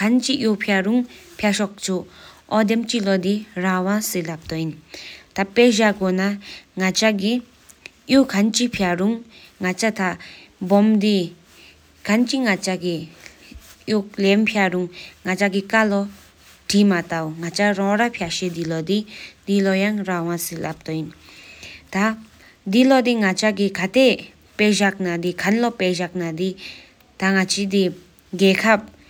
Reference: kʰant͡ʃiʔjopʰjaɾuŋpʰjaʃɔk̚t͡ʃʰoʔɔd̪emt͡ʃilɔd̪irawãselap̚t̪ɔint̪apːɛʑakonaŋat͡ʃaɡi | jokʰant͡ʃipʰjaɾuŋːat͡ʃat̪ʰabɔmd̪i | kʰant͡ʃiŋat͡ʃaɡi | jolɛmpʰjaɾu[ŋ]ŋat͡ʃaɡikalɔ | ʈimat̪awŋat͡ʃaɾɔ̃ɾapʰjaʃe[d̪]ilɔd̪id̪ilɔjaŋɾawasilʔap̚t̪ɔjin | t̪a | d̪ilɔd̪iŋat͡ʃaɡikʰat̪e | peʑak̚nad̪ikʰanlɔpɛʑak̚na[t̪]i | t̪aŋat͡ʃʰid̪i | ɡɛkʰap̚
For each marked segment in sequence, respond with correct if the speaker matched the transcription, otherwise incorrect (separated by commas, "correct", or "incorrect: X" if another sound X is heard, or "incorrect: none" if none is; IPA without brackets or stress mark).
correct, correct, incorrect: d̪